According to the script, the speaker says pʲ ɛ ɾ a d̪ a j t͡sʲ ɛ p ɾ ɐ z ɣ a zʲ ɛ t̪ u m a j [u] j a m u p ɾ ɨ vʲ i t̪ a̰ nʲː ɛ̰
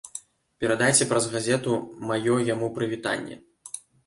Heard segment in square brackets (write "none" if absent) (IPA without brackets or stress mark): ɔ